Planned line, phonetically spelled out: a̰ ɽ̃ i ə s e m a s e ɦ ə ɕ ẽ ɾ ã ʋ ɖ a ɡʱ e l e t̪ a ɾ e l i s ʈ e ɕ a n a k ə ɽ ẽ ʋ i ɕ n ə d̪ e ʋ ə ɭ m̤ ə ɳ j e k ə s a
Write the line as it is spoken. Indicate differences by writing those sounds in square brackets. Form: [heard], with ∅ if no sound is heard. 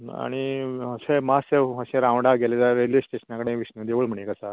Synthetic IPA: a̰ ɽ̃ i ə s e m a s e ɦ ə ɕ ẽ ɾ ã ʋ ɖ a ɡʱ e l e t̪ a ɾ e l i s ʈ e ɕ [ə] n a k ə ɽ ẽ ʋ i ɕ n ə d̪ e ʋ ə ɭ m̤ ə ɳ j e k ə s a